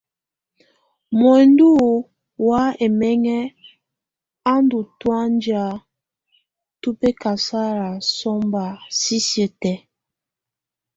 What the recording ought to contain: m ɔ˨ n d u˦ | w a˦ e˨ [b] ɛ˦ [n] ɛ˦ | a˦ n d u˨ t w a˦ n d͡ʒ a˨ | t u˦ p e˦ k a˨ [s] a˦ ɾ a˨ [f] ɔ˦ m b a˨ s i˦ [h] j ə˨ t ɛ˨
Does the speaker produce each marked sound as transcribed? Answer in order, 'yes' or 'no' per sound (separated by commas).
no, no, yes, no, no